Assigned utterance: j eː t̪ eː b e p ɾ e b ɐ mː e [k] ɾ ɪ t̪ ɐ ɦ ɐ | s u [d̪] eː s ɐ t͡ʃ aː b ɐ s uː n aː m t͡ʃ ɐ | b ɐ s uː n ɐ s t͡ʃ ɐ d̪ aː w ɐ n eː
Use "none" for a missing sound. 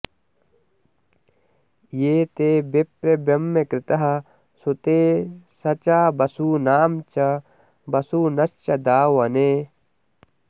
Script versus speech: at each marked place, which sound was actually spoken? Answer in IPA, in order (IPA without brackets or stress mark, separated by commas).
k, t̪